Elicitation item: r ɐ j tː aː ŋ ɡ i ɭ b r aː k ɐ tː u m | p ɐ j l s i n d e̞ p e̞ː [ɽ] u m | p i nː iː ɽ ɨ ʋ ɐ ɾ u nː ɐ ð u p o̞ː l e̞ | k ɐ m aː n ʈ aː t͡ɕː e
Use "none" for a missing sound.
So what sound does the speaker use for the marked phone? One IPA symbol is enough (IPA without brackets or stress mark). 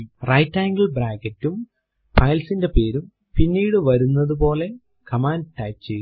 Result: ɾ